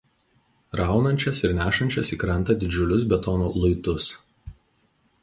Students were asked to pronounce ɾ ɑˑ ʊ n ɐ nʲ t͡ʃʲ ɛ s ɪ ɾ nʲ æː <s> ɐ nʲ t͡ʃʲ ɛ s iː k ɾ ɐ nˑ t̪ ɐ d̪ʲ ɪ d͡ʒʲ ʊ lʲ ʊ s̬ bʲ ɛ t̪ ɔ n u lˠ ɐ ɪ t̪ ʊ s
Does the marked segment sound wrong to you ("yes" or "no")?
yes